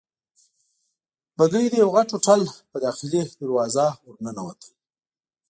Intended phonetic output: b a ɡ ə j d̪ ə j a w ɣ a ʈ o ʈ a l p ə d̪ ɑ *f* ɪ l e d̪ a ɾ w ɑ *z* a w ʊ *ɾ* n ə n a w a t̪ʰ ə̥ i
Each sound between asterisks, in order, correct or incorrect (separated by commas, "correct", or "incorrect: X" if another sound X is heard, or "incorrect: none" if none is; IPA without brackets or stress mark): incorrect: x, correct, correct